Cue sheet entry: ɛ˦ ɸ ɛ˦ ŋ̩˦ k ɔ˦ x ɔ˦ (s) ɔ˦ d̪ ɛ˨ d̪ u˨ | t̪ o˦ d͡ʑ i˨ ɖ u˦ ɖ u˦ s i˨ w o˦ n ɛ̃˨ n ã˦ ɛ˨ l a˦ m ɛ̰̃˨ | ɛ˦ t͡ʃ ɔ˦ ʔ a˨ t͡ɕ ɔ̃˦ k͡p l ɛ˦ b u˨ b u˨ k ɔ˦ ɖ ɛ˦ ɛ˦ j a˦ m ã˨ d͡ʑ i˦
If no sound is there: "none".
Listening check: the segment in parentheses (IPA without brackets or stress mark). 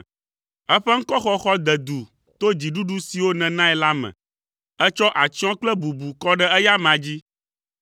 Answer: x